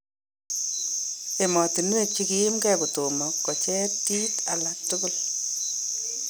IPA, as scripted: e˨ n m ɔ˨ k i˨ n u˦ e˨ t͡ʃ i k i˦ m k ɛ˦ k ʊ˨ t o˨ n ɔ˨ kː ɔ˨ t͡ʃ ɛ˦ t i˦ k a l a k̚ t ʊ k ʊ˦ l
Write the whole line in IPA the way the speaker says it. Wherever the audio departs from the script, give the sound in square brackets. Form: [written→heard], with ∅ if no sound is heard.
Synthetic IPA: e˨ [n→∅] m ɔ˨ [k→t] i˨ n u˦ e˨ t͡ʃ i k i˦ m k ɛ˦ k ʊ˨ t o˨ [n→m] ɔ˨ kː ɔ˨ t͡ʃ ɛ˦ t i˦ [k→t] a l a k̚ t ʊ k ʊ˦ l